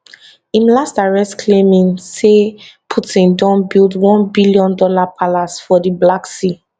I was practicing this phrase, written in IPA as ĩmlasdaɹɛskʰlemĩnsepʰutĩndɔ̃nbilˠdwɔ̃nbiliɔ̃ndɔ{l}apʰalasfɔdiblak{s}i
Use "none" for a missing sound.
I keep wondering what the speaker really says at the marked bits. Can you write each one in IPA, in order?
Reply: l, s

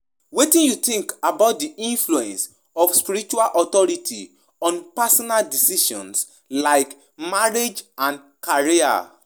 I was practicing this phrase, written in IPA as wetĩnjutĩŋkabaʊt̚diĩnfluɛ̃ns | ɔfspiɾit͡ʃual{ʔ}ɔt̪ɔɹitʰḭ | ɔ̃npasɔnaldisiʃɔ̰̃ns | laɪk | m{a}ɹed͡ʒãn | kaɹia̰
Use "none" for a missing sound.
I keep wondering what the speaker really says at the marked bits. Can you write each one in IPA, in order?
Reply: ʔ, a

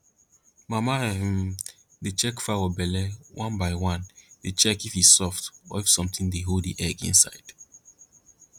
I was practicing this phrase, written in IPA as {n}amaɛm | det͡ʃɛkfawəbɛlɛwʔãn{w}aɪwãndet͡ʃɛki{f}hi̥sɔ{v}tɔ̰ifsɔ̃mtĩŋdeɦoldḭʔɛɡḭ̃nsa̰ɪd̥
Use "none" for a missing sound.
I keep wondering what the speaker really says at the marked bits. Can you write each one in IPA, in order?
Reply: m, b, f, f

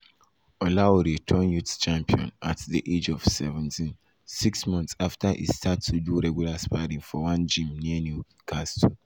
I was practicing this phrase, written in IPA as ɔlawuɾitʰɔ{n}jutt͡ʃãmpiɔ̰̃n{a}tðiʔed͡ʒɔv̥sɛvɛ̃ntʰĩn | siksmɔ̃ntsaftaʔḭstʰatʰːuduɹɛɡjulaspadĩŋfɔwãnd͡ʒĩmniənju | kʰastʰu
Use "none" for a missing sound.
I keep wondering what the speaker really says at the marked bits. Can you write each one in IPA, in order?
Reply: n, a

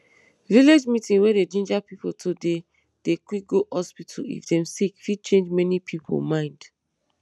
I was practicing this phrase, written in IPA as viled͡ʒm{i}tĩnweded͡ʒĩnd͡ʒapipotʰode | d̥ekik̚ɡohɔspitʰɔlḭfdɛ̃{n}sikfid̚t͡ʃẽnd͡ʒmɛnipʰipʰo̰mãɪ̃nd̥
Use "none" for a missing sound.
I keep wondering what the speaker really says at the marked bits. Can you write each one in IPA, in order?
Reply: i, m

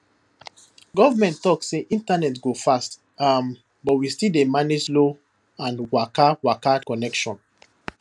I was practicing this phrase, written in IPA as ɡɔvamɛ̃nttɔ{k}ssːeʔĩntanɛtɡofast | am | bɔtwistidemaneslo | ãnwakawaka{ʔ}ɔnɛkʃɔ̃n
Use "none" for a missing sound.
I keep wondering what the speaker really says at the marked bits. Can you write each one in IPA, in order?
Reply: k, k

